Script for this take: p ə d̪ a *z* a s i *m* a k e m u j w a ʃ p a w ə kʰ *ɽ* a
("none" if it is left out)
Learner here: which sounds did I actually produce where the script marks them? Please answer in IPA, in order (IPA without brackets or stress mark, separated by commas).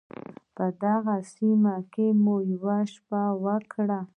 ɣ, m, ɽ